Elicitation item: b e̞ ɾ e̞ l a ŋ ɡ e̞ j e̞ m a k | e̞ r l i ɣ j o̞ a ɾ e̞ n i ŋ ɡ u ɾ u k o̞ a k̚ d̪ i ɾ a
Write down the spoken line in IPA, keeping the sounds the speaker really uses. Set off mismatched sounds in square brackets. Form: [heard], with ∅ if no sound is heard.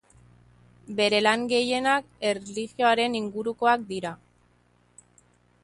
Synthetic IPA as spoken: b e̞ ɾ e̞ l a ŋ ɡ e̞ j e̞ [n] a k | e̞ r l i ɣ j o̞ a ɾ e̞ n i ŋ ɡ u ɾ u k o̞ a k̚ d̪ i ɾ a

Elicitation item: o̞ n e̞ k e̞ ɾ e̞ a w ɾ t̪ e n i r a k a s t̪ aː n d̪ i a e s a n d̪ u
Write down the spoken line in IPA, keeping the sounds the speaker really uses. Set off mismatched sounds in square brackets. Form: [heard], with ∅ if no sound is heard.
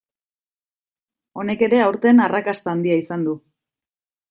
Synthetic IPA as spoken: o̞ n e̞ k e̞ ɾ e̞ a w ɾ t̪ e n [a] r a k a s t̪ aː n d̪ i a [i] s a n d̪ u

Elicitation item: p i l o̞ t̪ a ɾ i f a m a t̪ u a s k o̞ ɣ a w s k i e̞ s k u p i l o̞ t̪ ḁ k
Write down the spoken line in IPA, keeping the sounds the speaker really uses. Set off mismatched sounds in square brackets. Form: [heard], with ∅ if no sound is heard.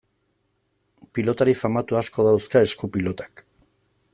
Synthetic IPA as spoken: p i l o̞ t̪ a ɾ i f a m a t̪ u a s k o̞ [ð] a w s k [a] e̞ s k u p i l o̞ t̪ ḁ k

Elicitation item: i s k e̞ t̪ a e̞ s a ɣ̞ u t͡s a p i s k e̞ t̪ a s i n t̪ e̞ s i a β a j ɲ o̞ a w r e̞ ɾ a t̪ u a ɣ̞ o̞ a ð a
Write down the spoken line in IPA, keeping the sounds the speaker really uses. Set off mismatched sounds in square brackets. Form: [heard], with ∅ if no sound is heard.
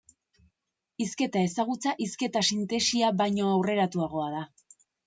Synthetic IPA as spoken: i s k e̞ t̪ a e̞ s a ɣ̞ u t͡s a [ʔ] i s k e̞ t̪ a s i n t̪ e̞ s i a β a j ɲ o̞ a w r e̞ ɾ a t̪ u a ɣ̞ o̞ a ð a

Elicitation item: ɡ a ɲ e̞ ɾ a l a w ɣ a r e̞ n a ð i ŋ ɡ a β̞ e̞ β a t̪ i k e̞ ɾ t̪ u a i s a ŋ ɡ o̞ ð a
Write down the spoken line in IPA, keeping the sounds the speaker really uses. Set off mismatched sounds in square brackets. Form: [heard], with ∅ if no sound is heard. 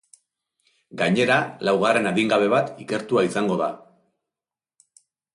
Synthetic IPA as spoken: ɡ a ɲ e̞ ɾ a l a w ɣ a r e̞ n a ð i ŋ ɡ a β̞ e̞ β a t̪ i k e̞ ɾ t̪ u a i s a ŋ ɡ o̞ ð a

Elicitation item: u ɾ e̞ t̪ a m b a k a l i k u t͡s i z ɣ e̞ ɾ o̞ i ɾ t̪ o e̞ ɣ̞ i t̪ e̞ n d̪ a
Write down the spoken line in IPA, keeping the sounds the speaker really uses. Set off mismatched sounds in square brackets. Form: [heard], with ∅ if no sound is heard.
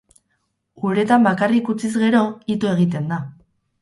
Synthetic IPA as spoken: u ɾ e̞ t̪ a m b a k a [r] i k u t͡s i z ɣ e̞ ɾ o̞ i [∅] t̪ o e̞ ɣ̞ i t̪ e̞ n d̪ a

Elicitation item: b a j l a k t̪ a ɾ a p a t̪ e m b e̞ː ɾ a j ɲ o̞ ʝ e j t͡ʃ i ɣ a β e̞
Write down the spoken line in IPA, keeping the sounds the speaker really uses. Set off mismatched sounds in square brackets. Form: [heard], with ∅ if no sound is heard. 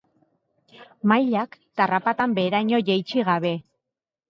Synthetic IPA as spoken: [m] a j [ʎ] a k t̪ a [r] a p a t̪ [a] m b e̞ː ɾ a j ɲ o̞ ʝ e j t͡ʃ i ɣ a β e̞

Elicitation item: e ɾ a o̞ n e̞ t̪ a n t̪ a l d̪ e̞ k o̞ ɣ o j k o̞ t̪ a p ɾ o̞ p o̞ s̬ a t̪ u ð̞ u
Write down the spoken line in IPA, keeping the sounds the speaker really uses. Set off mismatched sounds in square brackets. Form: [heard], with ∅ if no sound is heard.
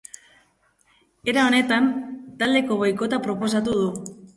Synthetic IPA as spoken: e ɾ a o̞ n e̞ t̪ a n t̪ a l d̪ e̞ k o̞ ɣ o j k o̞ t̪ a p ɾ o̞ p o̞ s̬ a t̪ u ð̞ u

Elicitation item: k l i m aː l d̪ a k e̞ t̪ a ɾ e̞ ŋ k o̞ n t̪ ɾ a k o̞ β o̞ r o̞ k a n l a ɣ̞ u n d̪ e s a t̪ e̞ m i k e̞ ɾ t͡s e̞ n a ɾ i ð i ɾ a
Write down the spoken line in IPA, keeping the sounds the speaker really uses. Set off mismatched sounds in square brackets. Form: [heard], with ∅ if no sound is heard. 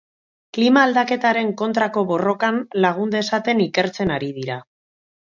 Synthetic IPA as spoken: k l i m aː l d̪ a k e̞ t̪ a ɾ e̞ ŋ k o̞ n t̪ ɾ a k o̞ β o̞ r o̞ k a n l a ɣ̞ u n d̪ e s a t̪ e̞ [n] i k e̞ ɾ t͡s e̞ n a ɾ i ð i ɾ a

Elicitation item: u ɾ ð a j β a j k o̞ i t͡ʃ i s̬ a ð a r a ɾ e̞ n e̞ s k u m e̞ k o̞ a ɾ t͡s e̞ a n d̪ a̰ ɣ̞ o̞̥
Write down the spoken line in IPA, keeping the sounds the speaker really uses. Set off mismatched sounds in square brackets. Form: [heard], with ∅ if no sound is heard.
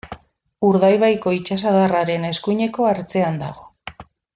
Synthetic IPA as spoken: u ɾ ð a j β a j k o̞ i t͡ʃ [a] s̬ a ð a r a ɾ e̞ n e̞ s k u [ɲ] e̞ k o̞ a ɾ t͡s e̞ a n d̪ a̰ ɣ̞ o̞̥

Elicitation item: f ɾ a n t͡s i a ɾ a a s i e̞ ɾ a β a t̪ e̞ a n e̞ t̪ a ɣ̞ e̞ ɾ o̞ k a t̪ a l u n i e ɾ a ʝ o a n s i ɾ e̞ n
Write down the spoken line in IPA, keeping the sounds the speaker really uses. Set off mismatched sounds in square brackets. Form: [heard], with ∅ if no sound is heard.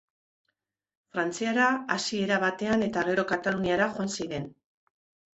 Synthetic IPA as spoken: f ɾ a n t͡s i a ɾ a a s i e̞ ɾ a β a t̪ e̞ a n e̞ t̪ a ɣ̞ e̞ ɾ o̞ k a t̪ a l u n i [a] ɾ a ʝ o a n s i ɾ e̞ n

